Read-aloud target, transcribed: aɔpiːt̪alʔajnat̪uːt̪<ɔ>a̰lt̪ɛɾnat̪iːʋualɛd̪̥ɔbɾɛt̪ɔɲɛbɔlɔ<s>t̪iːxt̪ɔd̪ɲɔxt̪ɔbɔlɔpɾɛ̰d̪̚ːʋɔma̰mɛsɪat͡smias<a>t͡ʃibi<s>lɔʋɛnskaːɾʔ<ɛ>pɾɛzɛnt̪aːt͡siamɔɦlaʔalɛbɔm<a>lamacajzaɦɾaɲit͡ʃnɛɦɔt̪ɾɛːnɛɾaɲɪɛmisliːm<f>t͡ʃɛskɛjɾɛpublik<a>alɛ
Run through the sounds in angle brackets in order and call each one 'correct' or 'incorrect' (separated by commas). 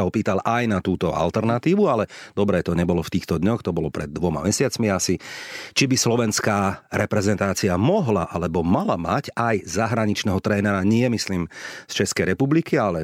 correct, incorrect, incorrect, correct, correct, correct, incorrect, incorrect